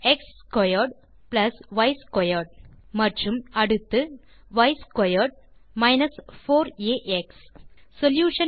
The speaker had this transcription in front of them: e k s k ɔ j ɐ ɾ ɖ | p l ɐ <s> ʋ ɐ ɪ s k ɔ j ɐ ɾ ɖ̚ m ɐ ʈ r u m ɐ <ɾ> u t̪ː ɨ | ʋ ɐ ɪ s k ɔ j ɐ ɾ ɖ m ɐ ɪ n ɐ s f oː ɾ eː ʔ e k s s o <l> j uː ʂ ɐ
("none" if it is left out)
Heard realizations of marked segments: s, ɽ, l

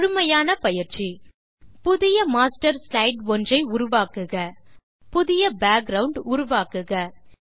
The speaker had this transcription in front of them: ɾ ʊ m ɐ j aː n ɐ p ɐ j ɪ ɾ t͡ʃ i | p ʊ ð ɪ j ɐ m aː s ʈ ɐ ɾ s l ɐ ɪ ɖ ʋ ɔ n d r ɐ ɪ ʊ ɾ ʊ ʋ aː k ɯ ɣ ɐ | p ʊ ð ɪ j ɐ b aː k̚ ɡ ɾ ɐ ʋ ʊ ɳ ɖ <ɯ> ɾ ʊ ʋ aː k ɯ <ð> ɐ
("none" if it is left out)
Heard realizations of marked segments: ʊ, ɣ

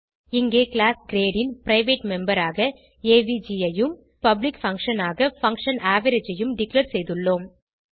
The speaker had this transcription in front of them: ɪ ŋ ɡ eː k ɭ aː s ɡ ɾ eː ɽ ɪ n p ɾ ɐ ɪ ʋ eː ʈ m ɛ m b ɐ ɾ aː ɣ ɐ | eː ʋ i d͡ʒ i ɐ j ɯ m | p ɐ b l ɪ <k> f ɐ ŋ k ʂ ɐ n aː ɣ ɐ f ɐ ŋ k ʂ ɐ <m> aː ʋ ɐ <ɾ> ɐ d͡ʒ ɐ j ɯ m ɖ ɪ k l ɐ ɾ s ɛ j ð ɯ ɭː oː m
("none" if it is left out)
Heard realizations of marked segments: k, n, ɾ

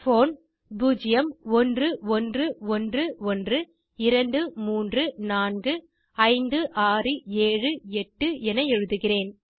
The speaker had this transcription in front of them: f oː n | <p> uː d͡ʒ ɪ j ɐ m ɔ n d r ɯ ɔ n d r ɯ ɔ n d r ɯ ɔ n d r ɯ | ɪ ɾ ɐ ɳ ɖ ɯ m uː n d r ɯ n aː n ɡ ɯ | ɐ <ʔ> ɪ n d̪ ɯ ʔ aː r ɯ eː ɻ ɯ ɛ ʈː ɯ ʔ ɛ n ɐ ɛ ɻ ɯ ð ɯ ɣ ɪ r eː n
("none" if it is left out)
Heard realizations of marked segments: b, none

